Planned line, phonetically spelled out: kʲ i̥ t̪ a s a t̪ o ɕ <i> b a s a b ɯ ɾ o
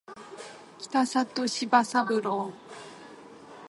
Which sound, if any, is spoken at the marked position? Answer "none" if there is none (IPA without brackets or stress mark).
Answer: i